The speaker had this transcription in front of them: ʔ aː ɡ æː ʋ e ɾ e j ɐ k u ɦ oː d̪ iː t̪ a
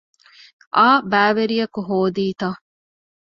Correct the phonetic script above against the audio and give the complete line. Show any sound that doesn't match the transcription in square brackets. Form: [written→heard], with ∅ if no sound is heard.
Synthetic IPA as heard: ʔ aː [ɡ→b] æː ʋ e ɾ [e→i] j ɐ k u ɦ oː d̪ iː t̪ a